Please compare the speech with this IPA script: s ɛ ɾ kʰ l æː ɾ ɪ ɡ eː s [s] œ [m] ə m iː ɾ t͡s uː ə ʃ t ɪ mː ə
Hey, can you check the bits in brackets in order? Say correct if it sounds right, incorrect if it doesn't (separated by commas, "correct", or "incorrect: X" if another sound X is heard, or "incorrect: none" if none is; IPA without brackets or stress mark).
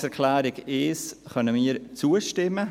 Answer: incorrect: χ, incorrect: n